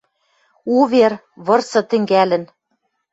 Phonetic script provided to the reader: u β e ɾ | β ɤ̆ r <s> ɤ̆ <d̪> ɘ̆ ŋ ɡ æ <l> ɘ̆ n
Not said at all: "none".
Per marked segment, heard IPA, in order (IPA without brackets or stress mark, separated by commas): s, t̪, l